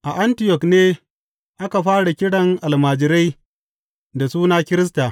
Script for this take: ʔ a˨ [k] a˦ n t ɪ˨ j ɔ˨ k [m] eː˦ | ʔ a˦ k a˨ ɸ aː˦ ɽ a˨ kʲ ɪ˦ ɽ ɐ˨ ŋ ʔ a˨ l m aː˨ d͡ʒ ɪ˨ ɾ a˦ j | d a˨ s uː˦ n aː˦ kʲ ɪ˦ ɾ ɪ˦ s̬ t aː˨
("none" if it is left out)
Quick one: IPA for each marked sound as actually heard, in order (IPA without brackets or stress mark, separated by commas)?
ʔ, n